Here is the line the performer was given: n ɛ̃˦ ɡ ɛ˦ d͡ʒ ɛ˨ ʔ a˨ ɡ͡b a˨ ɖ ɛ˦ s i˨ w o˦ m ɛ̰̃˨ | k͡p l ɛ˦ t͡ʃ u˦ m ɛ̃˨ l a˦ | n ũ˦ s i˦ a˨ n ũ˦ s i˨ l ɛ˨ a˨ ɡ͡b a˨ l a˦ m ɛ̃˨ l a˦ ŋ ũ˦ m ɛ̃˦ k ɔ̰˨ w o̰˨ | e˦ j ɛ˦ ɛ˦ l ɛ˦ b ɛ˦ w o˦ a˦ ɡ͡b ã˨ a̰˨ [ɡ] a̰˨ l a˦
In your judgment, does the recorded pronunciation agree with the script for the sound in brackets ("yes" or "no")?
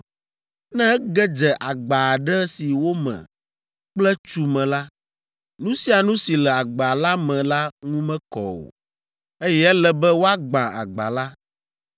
no